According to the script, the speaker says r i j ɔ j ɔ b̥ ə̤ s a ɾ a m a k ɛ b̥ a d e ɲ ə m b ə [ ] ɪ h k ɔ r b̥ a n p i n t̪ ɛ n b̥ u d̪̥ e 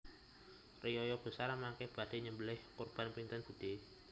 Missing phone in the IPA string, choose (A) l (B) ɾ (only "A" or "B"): A